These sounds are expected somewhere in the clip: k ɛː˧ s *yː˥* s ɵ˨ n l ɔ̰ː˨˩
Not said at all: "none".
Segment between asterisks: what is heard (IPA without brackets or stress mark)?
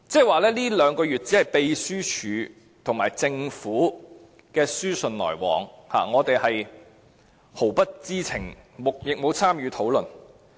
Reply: yː˥